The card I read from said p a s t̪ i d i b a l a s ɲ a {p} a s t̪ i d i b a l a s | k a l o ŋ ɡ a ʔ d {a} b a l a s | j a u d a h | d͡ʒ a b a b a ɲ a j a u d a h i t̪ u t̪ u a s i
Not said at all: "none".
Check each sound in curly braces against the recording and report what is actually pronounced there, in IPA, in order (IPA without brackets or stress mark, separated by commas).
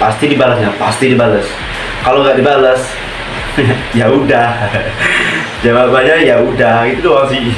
p, i